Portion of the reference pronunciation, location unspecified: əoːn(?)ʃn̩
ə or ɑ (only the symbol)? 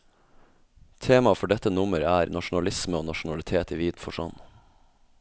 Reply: ɑ